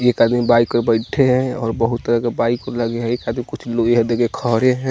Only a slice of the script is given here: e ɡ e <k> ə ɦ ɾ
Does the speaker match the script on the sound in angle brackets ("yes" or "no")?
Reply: no